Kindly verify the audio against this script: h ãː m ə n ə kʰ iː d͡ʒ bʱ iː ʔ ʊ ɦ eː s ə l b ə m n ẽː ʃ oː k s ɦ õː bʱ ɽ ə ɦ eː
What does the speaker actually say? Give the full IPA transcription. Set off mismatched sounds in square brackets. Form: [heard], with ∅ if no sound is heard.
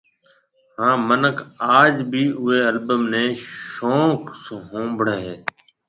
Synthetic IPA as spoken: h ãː m ə n ə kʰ [aː] d͡ʒ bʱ iː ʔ ʊ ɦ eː [∅] ə l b ə m n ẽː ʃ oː k s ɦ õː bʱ ɽ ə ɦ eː